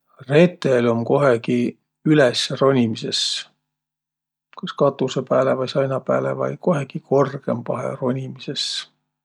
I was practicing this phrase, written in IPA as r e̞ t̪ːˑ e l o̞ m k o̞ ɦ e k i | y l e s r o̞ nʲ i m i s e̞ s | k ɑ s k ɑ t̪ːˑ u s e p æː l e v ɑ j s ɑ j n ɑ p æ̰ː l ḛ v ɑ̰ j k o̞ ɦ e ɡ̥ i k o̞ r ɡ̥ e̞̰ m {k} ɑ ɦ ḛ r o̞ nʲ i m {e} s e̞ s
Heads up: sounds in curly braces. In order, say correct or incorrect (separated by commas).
incorrect, incorrect